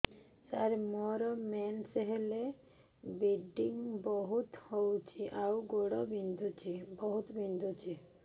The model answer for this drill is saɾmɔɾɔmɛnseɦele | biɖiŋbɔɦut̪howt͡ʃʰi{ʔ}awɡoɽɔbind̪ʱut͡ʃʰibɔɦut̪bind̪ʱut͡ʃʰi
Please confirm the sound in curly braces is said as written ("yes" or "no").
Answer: yes